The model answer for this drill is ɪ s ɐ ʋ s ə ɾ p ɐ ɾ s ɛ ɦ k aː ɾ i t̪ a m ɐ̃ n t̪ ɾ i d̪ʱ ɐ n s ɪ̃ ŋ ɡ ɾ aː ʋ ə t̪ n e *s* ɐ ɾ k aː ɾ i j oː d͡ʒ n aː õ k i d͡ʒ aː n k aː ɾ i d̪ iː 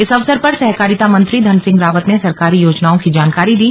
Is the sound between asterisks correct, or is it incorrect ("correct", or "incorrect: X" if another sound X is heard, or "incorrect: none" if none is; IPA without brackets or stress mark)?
correct